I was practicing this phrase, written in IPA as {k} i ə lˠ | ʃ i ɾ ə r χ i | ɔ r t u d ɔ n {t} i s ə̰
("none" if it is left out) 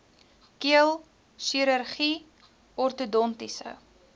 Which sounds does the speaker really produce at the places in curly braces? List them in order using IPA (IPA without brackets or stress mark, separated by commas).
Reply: k, t